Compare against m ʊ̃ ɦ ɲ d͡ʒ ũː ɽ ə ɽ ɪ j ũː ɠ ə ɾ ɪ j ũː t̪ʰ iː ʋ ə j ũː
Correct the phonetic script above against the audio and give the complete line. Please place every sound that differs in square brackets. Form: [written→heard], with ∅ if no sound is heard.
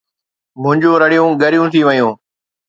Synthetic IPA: m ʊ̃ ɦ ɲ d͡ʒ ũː [ɽ→ɾ] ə ɽ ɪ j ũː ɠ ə ɾ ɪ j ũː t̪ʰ iː ʋ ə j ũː